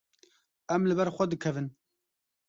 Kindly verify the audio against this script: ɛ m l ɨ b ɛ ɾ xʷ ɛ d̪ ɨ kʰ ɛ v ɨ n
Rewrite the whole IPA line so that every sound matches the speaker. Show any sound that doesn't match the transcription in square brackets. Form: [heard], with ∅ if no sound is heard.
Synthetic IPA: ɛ m l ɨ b ɛ ɾ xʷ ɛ d̪ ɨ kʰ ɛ v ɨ n